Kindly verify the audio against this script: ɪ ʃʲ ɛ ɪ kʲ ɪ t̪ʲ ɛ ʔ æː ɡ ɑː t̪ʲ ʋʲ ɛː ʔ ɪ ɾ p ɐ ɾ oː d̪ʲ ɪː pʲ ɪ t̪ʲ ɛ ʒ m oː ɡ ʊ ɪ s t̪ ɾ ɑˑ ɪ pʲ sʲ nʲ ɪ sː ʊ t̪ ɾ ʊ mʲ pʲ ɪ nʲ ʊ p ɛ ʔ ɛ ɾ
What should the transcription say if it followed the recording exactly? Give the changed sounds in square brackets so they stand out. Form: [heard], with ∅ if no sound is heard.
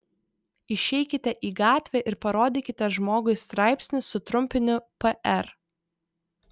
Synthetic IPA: ɪ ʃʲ ɛ ɪ kʲ ɪ t̪ʲ ɛ ʔ [iː] ɡ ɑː t̪ʲ ʋʲ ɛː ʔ ɪ ɾ p ɐ ɾ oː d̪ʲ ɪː [kʲ] ɪ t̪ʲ ɛ ʒ m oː ɡ ʊ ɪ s t̪ ɾ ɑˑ ɪ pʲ sʲ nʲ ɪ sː ʊ t̪ ɾ ʊ mʲ pʲ ɪ nʲ ʊ p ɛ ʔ ɛ ɾ